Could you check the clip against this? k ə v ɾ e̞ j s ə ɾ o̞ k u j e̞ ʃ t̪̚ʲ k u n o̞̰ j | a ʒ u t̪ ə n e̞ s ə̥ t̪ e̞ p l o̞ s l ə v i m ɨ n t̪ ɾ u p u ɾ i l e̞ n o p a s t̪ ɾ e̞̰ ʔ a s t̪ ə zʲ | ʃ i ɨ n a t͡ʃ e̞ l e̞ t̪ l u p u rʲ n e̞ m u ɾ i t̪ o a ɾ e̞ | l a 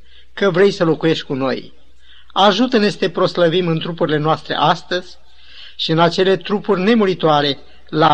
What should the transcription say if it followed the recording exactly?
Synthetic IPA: k ə v ɾ e̞ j s ə l o̞ k u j e̞ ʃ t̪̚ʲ k u n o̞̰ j | a ʒ u t̪ ə n e̞ s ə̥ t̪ e̞ p ɾ o̞ s l ə v i m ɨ n t̪ ɾ u p u ɾ i l e̞ n o a s t̪ ɾ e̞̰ ʔ a s t̪ ə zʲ | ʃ i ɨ n a t͡ʃ e̞ l e̞ t̪ ɾ u p u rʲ n e̞ m u ɾ i t̪ o a ɾ e̞ | l a